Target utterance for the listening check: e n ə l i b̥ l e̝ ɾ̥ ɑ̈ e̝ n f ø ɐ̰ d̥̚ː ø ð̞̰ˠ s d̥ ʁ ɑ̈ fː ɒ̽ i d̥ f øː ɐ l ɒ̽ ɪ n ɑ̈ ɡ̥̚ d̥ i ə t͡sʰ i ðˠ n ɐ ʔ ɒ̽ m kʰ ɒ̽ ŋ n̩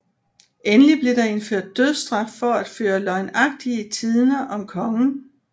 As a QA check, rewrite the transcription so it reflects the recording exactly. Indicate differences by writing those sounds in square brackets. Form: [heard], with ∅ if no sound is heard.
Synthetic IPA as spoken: e n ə l i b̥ l e̝ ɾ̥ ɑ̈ e̝ n f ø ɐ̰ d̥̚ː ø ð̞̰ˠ s d̥ ʁ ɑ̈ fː ɒ̽ [æ] d̥ f øː ɐ l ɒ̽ ɪ n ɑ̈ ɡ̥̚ d̥ i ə t͡sʰ i ðˠ n ɐ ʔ ɒ̽ m kʰ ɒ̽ ŋ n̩